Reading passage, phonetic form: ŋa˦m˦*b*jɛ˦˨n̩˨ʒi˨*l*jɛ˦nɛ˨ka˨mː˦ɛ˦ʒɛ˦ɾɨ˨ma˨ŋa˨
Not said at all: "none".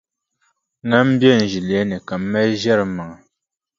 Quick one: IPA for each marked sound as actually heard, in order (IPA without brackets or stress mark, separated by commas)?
b, l